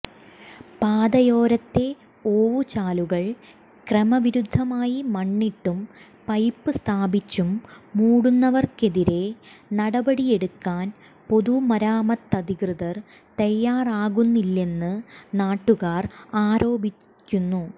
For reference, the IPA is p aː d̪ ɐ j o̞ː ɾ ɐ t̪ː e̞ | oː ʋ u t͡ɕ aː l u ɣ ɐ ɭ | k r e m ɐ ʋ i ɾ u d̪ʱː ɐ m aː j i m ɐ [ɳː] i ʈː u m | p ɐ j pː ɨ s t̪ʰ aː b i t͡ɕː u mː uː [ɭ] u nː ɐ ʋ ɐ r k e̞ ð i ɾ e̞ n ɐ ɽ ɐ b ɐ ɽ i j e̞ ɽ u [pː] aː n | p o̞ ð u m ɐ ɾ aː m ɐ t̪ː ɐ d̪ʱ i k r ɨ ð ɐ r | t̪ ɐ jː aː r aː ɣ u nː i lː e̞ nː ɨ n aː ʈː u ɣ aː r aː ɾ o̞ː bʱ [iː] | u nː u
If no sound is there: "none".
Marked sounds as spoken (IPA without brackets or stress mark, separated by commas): ɳː, ɽ, kː, iː